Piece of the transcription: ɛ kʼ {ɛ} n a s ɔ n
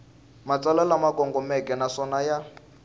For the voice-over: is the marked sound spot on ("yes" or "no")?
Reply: yes